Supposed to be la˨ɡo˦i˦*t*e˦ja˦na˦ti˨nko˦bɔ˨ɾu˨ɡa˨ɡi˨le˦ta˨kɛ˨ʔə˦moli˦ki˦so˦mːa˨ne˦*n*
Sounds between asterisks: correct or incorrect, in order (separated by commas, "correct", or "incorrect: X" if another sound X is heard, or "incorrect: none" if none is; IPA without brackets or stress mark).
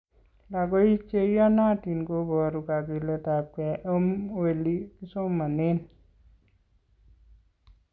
incorrect: t͡ʃ, correct